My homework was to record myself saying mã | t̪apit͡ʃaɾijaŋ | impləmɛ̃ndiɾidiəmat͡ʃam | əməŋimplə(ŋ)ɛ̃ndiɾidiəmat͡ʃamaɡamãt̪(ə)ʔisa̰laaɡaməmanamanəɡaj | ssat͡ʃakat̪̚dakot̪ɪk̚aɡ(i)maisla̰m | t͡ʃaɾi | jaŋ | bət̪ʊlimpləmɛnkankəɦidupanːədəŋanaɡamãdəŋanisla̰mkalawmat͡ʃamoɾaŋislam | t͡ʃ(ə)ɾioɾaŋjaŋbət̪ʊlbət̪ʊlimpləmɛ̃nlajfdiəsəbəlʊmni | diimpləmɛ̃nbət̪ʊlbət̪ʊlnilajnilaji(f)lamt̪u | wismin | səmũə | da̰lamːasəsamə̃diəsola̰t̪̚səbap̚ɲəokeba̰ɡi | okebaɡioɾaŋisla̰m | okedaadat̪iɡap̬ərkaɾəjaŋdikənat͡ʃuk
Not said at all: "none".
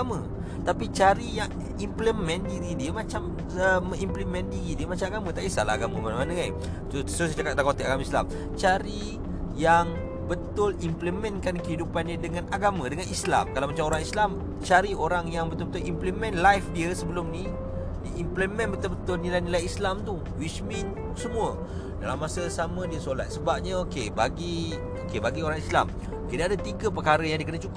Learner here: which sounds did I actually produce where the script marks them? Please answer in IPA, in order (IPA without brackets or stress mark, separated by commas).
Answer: m, a, a, a, s